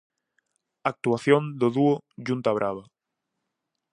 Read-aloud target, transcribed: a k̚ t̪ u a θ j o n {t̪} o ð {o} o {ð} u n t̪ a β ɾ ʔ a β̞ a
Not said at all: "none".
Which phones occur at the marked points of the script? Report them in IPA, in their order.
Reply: d̪, u, ʒ

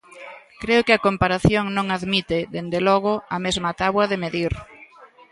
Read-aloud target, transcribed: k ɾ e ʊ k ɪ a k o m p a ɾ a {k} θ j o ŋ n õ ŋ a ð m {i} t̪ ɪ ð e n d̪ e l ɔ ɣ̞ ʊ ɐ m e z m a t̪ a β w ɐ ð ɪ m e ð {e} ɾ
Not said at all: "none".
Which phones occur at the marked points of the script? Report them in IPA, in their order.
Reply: none, i, i

